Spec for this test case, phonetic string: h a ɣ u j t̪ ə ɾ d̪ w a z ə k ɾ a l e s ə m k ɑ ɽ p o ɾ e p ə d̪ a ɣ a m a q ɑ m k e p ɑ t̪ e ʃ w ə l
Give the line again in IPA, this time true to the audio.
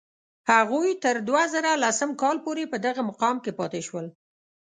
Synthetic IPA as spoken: h a ɣ u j t̪ ə ɾ d̪ w a z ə ɾ a l a s ə m k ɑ l p o ɾ e p ə d̪ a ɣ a m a q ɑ m k e p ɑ t̪ e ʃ w ə l